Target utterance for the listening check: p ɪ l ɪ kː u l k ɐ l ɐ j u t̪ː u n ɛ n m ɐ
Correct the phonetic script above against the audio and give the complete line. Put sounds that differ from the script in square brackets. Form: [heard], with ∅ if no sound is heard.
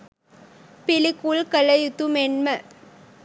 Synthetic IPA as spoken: p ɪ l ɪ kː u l k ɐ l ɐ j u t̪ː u [m] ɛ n m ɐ